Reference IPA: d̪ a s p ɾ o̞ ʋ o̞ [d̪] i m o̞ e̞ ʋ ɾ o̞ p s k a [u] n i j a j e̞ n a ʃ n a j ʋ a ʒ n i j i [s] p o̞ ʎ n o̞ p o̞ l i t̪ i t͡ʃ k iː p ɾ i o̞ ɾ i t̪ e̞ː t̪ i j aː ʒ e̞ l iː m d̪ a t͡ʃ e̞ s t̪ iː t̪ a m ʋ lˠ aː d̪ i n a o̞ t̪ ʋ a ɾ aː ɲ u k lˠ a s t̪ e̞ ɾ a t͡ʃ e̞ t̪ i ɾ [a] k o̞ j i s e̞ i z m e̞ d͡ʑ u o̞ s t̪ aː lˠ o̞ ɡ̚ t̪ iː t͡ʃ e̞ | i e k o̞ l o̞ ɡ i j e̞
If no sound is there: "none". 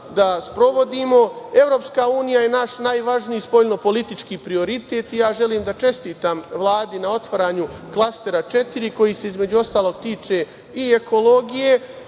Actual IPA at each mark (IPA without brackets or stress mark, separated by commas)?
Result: d̪, uː, s, i